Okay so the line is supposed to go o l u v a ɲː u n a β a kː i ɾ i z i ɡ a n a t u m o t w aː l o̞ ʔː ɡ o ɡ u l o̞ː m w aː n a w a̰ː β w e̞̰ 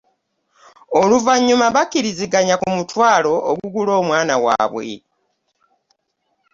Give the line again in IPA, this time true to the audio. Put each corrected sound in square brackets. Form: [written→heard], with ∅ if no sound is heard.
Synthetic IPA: o l u v a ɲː u [n→m] a β a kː i ɾ i z i ɡ a [n→ɲ] a [t→k] u m [o→u] t w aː l o̞ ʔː ɡ [o→u] ɡ u l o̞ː m w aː n a w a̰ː β w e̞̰